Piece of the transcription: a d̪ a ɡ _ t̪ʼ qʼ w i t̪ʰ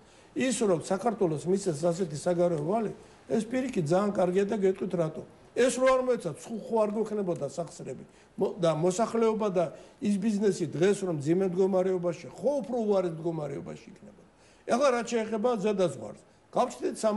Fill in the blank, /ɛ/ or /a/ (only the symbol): ɛ